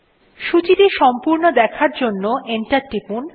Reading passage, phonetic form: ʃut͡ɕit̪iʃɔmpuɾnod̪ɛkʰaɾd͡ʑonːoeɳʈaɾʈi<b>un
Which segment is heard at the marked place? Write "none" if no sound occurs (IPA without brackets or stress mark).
p